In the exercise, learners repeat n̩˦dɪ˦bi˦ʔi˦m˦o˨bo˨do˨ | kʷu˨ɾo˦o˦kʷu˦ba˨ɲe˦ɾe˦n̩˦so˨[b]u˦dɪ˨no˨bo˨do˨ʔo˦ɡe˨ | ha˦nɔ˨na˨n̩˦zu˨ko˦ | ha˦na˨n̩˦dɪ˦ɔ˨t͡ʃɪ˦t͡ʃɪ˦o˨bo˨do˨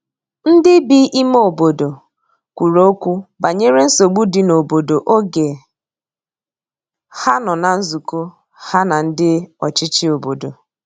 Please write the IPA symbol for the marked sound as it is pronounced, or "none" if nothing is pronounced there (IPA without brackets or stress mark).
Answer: ɡ͡b